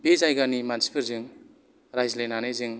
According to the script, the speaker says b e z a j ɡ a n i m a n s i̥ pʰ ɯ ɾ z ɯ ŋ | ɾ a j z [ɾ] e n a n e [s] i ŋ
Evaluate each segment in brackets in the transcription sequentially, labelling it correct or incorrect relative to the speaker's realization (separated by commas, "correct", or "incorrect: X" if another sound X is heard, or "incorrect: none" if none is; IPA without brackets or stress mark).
incorrect: l, incorrect: z